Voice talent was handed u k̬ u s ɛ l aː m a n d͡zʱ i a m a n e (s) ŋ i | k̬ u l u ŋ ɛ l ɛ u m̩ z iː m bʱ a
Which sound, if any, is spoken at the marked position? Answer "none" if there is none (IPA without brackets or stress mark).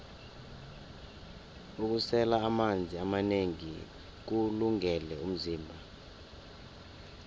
none